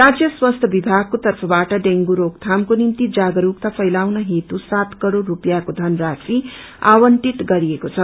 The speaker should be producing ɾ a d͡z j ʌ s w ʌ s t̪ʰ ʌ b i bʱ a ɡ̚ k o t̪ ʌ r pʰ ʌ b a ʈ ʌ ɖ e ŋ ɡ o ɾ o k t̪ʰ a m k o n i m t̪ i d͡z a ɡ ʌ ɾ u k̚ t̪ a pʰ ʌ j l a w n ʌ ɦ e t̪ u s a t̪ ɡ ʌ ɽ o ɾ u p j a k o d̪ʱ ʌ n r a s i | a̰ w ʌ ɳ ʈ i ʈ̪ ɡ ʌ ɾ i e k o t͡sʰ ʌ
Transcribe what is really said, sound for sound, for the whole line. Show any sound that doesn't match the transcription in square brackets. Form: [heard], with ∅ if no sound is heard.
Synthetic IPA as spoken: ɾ a d͡z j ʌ s w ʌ s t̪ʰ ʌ b i bʱ a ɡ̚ k o t̪ ʌ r pʰ ʌ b a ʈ ʌ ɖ e ŋ ɡ [u] ɾ o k t̪ʰ a m k o n i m t̪ i d͡z a ɡ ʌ ɾ u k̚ t̪ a pʰ ʌ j l a w n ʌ ɦ e t̪ u s a t̪ [k] ʌ ɽ o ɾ u p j a k o d̪ʱ ʌ n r a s i | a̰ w ʌ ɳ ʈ i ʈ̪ ɡ ʌ ɾ i e k o t͡sʰ ʌ